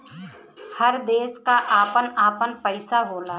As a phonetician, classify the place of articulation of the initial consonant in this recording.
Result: glottal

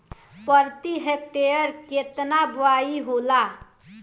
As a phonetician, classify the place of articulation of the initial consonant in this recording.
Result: labial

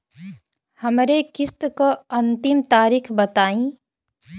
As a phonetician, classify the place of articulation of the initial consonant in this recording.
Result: glottal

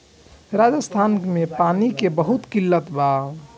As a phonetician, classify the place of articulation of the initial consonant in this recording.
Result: alveolar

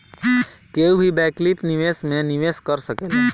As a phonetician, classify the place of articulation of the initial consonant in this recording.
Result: velar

